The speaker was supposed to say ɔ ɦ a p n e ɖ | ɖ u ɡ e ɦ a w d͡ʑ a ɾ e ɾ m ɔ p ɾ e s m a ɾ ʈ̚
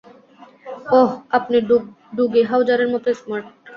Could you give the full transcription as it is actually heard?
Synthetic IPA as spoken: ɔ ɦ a p n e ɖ | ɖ u ɡ e ɦ a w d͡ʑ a ɾ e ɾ m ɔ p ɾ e s m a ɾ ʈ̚